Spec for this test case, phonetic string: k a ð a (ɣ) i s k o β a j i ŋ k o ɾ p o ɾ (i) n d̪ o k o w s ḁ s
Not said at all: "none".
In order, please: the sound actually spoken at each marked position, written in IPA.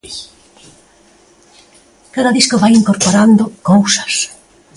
ð, a

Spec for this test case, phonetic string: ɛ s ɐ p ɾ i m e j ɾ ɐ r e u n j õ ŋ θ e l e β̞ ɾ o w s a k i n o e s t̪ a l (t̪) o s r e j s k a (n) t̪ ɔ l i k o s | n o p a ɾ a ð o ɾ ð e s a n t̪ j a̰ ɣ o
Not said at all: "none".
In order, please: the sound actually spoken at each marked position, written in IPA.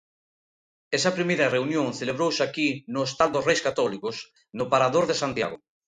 d̪, none

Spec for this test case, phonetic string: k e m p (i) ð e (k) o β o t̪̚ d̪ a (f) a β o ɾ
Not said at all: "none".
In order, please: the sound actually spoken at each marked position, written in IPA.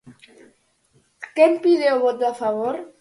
i, none, f

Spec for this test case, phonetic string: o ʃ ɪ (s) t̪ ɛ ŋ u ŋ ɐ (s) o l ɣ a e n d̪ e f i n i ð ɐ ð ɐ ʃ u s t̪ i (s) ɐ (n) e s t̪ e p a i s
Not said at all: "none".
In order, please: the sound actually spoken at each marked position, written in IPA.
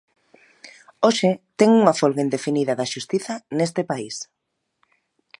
none, f, θ, n

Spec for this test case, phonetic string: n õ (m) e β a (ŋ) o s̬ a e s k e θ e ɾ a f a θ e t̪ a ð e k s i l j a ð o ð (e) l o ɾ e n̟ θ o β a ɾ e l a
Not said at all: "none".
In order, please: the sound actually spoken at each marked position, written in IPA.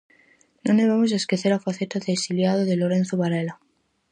n, m, e

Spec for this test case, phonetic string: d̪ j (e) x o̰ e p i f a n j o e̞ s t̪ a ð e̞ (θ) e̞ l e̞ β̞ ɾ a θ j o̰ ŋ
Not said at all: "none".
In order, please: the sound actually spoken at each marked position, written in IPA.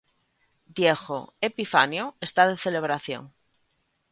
e, θ

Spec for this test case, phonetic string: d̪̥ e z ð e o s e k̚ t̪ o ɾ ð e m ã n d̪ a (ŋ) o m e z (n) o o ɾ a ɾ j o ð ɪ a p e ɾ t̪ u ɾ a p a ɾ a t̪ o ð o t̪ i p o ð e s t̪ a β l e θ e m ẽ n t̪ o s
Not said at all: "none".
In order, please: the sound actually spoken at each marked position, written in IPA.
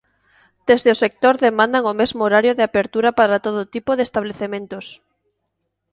ŋ, m

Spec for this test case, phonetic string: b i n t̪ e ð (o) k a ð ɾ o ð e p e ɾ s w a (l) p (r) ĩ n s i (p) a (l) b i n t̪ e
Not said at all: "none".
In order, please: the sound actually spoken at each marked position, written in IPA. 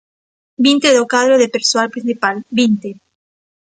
o, l, ɾ, p, l

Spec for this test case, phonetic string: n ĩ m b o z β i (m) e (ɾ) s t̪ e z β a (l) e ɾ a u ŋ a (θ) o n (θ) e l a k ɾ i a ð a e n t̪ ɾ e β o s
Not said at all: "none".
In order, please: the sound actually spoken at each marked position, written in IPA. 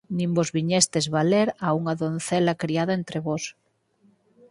ɲ, none, l, ð, θ

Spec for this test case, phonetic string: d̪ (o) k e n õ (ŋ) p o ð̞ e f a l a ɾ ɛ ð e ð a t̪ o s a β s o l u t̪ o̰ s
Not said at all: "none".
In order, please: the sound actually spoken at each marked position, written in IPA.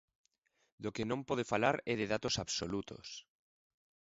o, m

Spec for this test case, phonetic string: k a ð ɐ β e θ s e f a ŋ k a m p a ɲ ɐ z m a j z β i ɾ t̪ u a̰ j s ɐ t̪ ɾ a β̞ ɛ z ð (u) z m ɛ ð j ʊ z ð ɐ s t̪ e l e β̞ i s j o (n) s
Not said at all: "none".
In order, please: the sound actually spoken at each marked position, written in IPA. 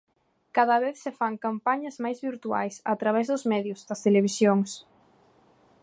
ʊ, ŋ

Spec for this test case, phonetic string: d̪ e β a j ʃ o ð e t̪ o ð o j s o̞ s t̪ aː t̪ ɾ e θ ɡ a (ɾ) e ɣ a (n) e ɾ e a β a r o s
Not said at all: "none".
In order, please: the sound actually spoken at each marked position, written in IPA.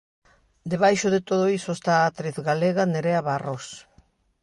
l, n

